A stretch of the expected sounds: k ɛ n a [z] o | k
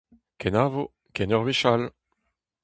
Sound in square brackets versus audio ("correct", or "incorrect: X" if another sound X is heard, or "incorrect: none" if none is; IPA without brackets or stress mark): incorrect: v